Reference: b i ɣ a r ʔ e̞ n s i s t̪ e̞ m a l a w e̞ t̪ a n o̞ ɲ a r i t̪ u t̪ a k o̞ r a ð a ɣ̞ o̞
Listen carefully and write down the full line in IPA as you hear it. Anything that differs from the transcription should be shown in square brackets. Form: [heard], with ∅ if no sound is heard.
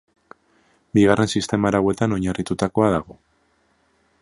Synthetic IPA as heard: b i ɣ a r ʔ e̞ n s i s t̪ e̞ m a [ɾ] a w e̞ t̪ a n o̞ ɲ a r i t̪ u t̪ a k o̞ [∅] a ð a ɣ̞ o̞